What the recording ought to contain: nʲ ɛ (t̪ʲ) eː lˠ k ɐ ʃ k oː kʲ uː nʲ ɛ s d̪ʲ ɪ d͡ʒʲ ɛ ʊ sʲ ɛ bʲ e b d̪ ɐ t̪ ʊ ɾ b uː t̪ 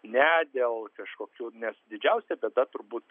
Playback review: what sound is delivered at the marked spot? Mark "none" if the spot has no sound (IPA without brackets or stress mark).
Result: d̪ʲ